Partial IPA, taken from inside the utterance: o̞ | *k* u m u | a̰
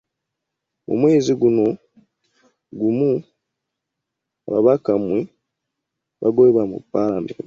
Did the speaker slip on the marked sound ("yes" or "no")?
yes